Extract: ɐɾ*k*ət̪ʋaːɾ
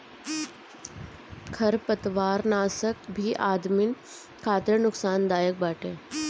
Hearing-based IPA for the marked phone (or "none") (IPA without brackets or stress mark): p